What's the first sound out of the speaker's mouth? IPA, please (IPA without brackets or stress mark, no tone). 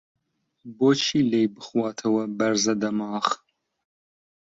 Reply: b